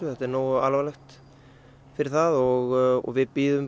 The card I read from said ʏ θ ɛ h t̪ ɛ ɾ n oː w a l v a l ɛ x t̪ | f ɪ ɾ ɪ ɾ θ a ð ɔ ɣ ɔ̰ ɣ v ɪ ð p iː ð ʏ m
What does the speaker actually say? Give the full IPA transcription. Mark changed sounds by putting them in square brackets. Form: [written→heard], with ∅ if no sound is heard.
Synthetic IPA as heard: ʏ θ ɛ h t̪ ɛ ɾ n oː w a l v a l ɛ x t̪ | f ɪ ɾ ɪ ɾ θ a ð ɔ ɣ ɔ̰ ɣ v ɪ ð p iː ð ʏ m